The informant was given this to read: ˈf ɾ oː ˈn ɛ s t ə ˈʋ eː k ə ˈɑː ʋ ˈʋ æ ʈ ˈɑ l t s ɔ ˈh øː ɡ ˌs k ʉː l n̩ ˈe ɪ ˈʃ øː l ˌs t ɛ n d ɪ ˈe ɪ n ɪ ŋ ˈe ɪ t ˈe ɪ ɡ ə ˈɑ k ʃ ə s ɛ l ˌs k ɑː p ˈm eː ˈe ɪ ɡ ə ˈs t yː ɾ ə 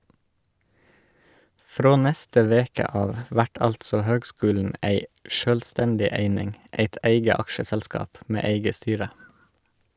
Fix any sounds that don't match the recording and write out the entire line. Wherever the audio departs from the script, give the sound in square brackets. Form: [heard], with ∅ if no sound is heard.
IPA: ˈf ɾ oː ˈn ɛ s t ə ˈʋ eː k ə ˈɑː ʋ ˈʋ æ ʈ ˈɑ l t s ɔ ˈh øː ɡ ˌs k ʉː l n̩ [ˈæ] ɪ ˈʃ øː l ˌs t ɛ n d ɪ ˈe ɪ n ɪ ŋ ˈe ɪ t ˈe ɪ ɡ ə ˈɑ k ʃ ə s ɛ l ˌs k ɑː p ˈm eː ˈe ɪ ɡ ə ˈs t yː ɾ ə